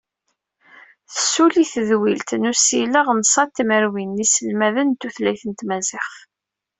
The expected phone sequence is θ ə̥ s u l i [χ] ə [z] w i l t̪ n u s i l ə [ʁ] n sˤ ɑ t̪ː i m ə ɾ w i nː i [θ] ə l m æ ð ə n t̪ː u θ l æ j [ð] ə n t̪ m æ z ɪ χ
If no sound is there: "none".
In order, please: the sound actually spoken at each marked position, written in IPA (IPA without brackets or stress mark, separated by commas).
θ, ð, ʁ, s, θ